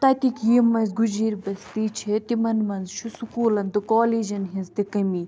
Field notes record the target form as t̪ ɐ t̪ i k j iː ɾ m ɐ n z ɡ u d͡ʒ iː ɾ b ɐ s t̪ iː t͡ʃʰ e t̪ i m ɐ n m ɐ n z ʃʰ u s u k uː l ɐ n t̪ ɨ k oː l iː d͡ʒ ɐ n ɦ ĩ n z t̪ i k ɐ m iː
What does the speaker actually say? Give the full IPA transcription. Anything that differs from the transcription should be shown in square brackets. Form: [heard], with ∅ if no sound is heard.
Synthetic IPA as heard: t̪ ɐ t̪ i k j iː [∅] m ɐ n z ɡ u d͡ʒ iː ɾ b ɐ s t̪ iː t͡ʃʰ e t̪ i m ɐ n m ɐ n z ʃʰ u s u k uː l ɐ n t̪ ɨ k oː l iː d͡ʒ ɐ n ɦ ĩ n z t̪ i k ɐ m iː